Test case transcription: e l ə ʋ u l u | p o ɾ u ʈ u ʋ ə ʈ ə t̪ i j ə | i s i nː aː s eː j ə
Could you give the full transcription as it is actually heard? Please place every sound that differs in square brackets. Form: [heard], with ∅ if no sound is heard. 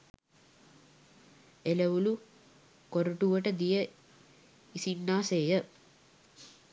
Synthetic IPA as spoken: e l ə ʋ u l u | [k] o ɾ u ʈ u ʋ ə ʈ ə [d̪] i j ə | i s i nː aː s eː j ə